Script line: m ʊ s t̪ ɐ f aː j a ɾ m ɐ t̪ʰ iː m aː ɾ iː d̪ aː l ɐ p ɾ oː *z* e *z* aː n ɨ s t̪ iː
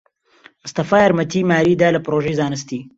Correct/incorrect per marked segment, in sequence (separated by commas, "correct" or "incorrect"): incorrect, correct